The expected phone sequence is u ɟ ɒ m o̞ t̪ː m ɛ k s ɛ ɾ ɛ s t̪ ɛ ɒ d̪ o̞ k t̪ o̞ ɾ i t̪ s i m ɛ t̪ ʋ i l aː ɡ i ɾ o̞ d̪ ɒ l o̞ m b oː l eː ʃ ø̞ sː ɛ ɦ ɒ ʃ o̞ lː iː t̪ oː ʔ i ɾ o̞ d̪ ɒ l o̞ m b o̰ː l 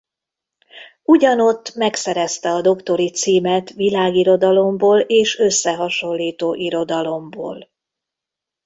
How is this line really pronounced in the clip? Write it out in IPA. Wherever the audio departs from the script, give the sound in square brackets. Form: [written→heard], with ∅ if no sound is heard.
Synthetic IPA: u ɟ ɒ [m→n] o̞ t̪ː m ɛ k s ɛ ɾ ɛ s t̪ ɛ ɒ d̪ o̞ k t̪ o̞ ɾ i t̪ s [i→iː] m ɛ t̪ ʋ i l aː ɡ i ɾ o̞ d̪ ɒ l o̞ m b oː l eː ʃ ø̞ sː ɛ ɦ ɒ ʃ o̞ lː iː t̪ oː ʔ i ɾ o̞ d̪ ɒ l o̞ m b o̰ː l